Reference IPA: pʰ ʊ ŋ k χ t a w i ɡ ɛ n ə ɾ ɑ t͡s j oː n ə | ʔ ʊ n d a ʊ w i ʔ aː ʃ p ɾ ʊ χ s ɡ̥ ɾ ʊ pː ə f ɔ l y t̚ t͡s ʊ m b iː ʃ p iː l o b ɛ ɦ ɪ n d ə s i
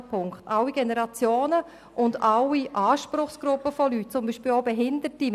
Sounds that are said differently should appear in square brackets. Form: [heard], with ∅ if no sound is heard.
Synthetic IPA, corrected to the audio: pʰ ʊ ŋ k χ t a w i ɡ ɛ n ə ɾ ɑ t͡s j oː n ə | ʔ ʊ n d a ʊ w i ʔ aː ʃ p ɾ ʊ χ s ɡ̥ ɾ ʊ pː ə f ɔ l y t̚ t͡s ʊ m b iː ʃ p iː l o b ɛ ɦ ɪ n d ə [t] i